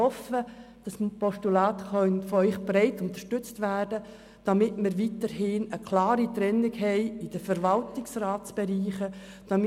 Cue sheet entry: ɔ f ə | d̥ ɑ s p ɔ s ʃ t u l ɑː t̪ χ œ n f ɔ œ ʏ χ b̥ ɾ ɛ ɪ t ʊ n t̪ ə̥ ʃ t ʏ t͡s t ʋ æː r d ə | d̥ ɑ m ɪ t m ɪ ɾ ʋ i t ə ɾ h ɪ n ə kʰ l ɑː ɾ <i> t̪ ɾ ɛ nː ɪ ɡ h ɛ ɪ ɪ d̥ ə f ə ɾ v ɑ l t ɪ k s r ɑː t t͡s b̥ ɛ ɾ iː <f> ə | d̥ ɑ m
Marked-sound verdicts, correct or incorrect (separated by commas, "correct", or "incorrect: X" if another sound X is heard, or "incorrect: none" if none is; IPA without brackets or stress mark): correct, incorrect: χ